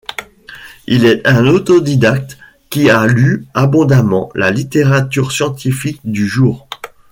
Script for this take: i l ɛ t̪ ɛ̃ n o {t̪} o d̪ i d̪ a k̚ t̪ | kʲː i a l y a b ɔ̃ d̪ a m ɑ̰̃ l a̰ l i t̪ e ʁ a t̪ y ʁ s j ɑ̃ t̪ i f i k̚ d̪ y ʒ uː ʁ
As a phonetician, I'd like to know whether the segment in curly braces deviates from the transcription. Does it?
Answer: no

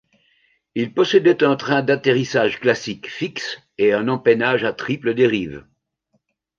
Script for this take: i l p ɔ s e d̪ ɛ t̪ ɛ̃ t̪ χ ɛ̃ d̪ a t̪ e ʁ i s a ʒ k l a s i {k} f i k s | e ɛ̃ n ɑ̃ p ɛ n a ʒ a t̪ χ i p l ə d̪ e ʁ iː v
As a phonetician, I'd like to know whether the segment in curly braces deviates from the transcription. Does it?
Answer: no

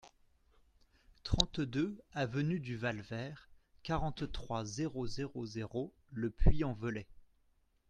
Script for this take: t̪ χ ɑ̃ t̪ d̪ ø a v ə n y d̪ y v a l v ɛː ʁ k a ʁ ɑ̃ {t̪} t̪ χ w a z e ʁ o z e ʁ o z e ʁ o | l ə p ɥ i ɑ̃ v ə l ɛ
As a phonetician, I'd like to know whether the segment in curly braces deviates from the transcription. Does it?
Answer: no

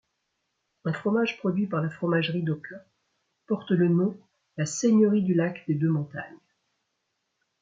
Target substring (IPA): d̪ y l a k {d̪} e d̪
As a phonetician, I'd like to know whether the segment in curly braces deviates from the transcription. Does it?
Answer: no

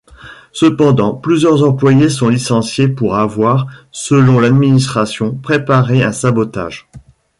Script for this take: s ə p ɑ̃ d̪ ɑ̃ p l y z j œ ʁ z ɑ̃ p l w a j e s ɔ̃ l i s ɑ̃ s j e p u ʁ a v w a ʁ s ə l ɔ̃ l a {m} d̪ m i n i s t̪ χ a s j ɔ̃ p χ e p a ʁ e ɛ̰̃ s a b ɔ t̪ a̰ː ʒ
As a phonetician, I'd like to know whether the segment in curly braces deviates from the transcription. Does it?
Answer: yes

